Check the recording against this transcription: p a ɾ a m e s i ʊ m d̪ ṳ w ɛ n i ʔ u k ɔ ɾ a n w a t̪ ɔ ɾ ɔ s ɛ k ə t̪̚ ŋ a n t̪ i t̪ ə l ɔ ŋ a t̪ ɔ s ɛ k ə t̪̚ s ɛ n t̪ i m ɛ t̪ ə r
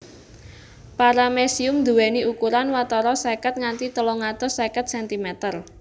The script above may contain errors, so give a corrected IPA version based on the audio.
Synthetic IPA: p a ɾ a m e s i ʊ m d̪ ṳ w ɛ n i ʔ u k u ɾ a n w a t̪ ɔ ɾ ɔ s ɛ k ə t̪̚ ŋ a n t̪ i t̪ ə l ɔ ŋ a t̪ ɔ s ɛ k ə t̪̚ s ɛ n t̪ i m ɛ t̪ ə r